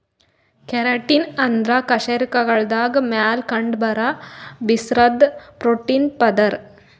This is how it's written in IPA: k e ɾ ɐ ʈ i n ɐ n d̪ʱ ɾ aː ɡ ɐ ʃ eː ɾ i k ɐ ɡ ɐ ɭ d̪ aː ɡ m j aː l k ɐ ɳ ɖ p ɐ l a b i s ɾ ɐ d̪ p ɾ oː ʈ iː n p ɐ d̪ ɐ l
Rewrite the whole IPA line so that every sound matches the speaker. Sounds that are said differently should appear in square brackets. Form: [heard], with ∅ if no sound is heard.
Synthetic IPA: k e ɾ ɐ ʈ i n ɐ n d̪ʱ ɾ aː [k] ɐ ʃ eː ɾ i k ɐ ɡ ɐ ɭ d̪ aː ɡ m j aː l k ɐ ɳ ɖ [b] ɐ [ɾ] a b i s ɾ ɐ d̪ p ɾ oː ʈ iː n p ɐ d̪ ɐ [ɾ]